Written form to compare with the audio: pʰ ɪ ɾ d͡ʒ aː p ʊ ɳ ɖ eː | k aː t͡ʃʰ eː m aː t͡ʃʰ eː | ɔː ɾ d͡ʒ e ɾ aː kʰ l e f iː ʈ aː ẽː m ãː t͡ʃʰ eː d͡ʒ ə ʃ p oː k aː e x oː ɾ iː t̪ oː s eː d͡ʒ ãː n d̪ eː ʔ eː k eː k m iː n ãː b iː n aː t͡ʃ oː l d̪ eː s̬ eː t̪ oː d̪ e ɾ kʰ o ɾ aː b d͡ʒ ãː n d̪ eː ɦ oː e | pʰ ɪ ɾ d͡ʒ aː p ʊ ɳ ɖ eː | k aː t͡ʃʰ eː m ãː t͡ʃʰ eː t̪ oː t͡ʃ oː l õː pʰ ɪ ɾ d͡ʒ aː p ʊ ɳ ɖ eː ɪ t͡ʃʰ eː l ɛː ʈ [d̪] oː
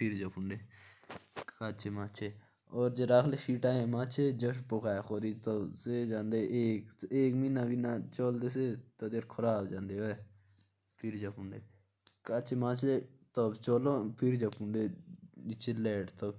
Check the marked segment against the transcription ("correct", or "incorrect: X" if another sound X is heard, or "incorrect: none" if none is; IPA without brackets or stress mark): incorrect: t̪